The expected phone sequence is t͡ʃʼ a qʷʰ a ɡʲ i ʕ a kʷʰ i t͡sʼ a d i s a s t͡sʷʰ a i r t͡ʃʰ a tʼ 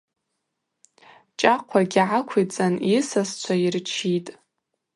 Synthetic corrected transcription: t͡ʃʼ a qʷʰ a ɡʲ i ʕ a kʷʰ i t͡sʼ a n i s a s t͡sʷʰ a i r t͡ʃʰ i tʼ

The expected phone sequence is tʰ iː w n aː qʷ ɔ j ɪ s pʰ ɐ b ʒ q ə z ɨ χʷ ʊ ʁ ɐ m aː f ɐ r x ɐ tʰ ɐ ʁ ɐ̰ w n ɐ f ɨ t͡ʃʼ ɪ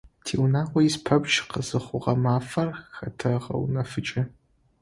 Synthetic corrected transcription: tʰ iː w n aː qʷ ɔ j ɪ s pʰ ɐ b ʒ q ə z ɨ χʷ ʊ ʁ ɐ m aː f ɐ r x ɐ tʰ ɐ ʁ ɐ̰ w n ɐ f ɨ t͡ʃʼ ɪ

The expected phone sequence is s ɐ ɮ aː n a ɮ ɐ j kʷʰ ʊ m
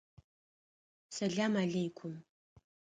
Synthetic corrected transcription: s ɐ ɮ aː m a ɮ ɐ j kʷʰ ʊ m

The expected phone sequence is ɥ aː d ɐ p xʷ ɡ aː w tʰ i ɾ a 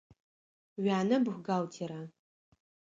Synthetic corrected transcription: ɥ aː n ɐ b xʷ ɡ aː w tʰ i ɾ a

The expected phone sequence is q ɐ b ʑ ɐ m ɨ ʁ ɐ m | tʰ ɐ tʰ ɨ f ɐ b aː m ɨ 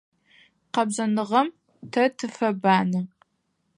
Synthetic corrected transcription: q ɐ b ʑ ɐ n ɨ ʁ ɐ m | tʰ ɐ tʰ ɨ f ɐ b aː n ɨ

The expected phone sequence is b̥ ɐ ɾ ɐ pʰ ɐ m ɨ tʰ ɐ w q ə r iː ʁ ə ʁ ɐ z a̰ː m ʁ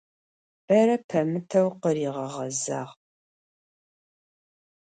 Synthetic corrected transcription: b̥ ɐ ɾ ɐ pʰ ɐ m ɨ tʰ ɐ w q ə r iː ʁ ɐ ʁ ɐ z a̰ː ʁ

